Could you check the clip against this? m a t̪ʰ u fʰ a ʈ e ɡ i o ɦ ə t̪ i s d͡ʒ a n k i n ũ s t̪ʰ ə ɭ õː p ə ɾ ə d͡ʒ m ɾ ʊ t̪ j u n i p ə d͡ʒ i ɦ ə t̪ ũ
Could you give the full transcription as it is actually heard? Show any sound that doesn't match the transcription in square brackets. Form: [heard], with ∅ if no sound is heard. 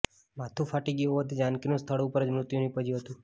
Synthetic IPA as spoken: m a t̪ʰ u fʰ a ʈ [i] ɡ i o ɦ ə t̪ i [∅] d͡ʒ a n k i n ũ s t̪ʰ ə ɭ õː p ə ɾ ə d͡ʒ m ɾ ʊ t̪ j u n i p ə d͡ʒ i ɦ ə t̪ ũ